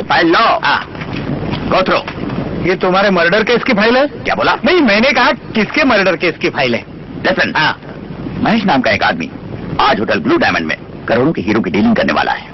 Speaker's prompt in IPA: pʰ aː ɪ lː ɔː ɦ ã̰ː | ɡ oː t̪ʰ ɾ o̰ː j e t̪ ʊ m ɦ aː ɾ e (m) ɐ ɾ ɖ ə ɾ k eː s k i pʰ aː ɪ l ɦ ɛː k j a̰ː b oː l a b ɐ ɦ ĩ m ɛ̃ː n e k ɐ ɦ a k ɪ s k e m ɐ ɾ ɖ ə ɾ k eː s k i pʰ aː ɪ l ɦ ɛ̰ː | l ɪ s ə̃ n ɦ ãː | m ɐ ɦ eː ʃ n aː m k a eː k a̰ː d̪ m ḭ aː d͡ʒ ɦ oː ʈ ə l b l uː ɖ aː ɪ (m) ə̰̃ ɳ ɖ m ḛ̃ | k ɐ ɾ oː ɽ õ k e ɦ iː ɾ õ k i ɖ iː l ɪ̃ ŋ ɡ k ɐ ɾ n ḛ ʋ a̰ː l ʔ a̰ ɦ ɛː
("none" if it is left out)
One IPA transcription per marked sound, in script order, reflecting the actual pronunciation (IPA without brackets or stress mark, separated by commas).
m, m